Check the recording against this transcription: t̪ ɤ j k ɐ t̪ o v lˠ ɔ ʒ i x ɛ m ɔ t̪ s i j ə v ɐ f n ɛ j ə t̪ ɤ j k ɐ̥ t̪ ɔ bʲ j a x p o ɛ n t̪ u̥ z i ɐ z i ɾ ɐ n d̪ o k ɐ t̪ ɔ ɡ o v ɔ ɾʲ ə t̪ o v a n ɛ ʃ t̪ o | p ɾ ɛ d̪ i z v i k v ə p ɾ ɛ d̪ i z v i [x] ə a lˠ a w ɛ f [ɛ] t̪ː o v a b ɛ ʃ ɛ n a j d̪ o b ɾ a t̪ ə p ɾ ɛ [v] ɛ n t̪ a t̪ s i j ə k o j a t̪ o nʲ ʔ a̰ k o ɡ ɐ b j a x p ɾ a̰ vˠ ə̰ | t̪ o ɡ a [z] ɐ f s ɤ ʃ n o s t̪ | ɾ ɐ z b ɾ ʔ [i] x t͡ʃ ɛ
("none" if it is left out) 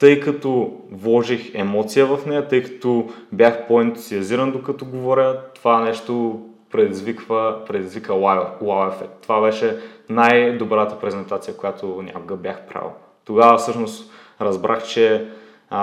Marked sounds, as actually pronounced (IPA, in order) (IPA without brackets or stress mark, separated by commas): k, ɛ, z, v, a